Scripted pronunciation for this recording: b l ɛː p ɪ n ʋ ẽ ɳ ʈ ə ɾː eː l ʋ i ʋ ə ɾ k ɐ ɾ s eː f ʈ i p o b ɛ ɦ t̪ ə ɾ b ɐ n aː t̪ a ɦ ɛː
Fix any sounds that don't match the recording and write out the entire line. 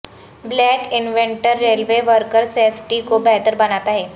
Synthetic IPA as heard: b l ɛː k ɪ n ʋ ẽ ɳ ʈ ə ɾː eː l ʋ e ʋ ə ɾ k ə ɾ s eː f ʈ i k o b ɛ ɦ t̪ ə ɾ b ɐ n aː t̪ a ɦ ɛː